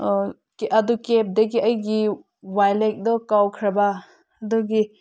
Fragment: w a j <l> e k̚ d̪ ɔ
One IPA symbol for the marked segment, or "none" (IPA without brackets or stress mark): l